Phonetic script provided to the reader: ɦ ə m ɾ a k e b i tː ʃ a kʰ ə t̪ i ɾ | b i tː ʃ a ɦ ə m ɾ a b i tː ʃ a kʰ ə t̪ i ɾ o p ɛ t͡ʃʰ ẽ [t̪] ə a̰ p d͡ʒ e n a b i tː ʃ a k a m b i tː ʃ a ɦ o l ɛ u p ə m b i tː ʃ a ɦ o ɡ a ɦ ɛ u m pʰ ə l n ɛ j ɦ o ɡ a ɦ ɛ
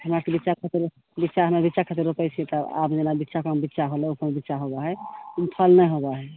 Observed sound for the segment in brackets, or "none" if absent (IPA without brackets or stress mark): t̪